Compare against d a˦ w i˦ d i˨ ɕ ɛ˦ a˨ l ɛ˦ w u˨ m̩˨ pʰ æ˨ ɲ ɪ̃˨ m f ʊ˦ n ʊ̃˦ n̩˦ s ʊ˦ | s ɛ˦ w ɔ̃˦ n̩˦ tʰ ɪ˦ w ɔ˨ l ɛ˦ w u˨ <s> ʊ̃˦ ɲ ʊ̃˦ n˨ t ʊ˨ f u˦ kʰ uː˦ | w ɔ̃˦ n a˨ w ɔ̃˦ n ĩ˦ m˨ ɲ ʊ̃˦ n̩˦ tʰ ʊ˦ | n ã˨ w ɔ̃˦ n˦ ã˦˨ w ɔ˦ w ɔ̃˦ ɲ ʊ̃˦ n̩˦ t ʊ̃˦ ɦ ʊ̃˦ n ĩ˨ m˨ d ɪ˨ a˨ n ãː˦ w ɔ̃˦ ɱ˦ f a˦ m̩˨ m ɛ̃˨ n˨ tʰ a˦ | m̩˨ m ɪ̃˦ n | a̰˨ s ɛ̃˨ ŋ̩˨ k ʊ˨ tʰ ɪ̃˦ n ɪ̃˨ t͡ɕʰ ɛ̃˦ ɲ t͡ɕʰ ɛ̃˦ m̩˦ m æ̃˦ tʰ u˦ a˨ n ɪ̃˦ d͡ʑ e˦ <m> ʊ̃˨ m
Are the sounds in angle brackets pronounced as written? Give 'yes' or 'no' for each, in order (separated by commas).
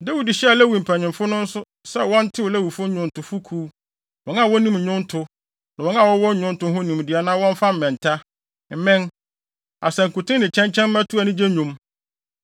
no, no